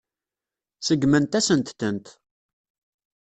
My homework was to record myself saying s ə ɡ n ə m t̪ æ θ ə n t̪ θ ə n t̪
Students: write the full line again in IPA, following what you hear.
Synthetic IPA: s ə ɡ m ə n t̪ æ s ə n t̪ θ ə n t̪